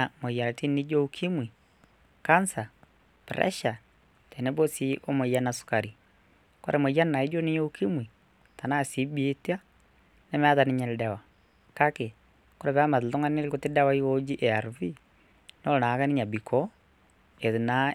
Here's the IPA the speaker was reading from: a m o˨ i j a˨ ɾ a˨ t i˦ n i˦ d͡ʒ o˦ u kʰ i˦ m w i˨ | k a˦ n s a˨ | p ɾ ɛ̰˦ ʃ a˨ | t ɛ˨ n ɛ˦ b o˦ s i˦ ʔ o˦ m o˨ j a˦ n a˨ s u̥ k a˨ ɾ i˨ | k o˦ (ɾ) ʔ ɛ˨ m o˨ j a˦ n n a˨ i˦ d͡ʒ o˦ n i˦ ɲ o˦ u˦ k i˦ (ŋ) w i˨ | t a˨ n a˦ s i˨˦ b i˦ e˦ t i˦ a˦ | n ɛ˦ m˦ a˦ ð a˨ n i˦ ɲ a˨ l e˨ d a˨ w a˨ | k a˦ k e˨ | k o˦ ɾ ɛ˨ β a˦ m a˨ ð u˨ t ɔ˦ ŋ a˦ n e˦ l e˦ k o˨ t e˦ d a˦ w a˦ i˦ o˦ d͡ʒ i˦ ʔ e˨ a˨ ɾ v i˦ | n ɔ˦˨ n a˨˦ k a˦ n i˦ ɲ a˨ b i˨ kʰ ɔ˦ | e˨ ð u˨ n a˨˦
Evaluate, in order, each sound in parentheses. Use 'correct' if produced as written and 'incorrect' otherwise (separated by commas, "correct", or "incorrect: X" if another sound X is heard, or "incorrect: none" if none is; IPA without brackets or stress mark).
correct, incorrect: m